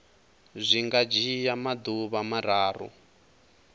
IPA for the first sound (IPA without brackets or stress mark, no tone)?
zʷ